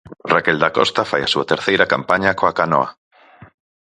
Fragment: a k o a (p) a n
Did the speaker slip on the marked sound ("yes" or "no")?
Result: yes